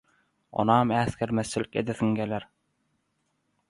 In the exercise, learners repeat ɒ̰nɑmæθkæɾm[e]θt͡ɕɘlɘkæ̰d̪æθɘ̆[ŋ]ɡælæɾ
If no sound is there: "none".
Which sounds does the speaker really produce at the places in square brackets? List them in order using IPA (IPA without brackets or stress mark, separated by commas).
æ, ŋ